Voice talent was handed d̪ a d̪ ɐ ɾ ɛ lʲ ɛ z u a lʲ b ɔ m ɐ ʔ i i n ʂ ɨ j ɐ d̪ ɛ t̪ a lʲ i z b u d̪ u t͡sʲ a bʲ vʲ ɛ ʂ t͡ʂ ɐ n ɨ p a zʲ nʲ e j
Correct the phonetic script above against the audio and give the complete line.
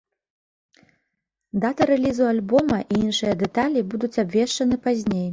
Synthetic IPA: d̪ a t̪ ɐ ɾ ɛ lʲ i z u a lʲ b ɔ m ɐ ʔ i i n ʂ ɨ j ɐ d̪ ɛ t̪ a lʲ i b u d̪ u t͡sʲ a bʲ vʲ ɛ ʂ t͡ʂ ɐ n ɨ p a zʲ nʲ e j